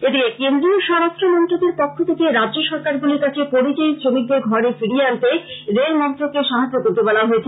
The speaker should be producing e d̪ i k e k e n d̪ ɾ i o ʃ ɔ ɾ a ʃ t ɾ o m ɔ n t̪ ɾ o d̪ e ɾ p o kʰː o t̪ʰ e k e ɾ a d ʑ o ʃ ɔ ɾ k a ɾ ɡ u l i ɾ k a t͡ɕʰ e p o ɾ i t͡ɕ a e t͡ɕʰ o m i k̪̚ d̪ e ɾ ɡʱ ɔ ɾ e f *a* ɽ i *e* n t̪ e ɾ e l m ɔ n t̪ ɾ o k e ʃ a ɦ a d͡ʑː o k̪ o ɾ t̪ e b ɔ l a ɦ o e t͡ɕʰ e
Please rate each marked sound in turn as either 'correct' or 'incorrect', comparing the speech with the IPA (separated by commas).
incorrect, incorrect